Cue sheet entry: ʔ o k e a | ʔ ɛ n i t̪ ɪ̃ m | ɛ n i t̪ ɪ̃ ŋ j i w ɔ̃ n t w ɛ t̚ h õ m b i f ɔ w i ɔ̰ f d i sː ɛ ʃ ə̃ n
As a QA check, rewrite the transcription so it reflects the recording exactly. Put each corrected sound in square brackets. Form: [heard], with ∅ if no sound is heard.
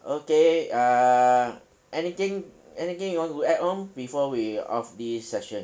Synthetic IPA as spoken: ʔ o k e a | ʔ ɛ n i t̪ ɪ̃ [ŋ] | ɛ n i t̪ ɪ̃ ŋ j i w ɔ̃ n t [u] ɛ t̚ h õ m b i f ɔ w i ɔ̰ f d i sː ɛ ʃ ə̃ n